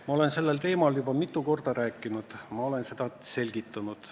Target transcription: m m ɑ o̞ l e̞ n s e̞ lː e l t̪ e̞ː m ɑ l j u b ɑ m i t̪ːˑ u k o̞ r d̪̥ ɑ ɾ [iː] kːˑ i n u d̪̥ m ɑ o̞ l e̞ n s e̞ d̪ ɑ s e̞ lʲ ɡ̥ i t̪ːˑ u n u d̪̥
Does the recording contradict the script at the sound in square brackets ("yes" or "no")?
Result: yes